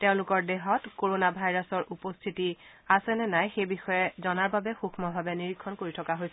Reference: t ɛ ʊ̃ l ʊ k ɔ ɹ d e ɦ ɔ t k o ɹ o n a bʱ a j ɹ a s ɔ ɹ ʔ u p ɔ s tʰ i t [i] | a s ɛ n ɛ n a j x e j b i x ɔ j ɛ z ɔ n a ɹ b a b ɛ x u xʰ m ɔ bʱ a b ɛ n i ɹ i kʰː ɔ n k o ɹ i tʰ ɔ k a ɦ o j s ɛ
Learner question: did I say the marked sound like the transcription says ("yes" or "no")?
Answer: yes